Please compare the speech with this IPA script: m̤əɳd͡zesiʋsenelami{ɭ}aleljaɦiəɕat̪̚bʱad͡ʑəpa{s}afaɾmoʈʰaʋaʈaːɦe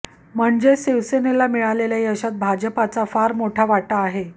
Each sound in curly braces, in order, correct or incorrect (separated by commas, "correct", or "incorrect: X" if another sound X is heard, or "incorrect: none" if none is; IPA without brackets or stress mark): correct, incorrect: t͡s